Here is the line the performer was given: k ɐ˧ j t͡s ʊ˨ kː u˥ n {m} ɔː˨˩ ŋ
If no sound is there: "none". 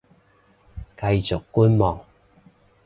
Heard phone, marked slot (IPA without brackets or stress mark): m